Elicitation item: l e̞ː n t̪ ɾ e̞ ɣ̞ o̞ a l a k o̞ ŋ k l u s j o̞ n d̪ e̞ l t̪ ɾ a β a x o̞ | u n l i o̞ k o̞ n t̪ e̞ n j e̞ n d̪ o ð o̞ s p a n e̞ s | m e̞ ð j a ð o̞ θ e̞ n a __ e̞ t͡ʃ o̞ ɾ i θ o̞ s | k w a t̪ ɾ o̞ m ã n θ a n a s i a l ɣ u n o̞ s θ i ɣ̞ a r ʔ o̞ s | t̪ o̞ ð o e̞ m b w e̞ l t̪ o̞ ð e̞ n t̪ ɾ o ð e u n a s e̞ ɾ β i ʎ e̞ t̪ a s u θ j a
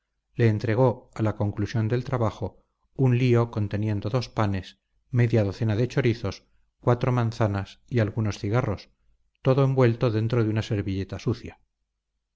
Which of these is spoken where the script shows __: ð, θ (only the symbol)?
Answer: ð